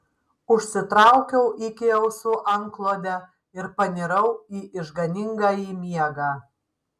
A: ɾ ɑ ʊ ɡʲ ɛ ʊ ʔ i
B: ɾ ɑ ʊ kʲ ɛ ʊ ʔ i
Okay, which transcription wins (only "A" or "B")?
B